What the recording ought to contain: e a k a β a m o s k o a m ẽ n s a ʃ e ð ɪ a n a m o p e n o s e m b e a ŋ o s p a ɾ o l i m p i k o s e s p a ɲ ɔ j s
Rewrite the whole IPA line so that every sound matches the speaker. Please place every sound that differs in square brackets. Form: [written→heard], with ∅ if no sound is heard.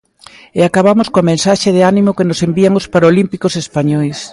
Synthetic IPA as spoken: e a k a β a m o s k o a m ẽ n s a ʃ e ð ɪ a n [a→i] m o [p→k] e n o s e m b [e→i] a ŋ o s p a ɾ o l i m p i k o s e s p a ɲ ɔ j s